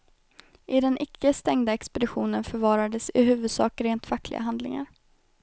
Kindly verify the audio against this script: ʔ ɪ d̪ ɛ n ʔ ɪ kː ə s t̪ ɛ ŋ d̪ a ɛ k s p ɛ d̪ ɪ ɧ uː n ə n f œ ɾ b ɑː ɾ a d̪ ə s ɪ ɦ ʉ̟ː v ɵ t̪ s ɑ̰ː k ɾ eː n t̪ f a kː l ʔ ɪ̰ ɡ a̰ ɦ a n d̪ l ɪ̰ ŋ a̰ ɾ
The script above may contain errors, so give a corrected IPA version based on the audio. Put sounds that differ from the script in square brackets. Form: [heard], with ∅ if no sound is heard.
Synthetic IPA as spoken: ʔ ɪ d̪ ɛ n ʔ ɪ kː ə s t̪ ɛ ŋ d̪ a ɛ k s p ɛ d̪ ɪ ɧ uː n ə n f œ ɾ [v] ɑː ɾ a d̪ ə s ɪ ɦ ʉ̟ː v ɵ [d̪] s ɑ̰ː k ɾ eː n t̪ f a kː l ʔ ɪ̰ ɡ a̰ ɦ a n d̪ l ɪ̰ ŋ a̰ ɾ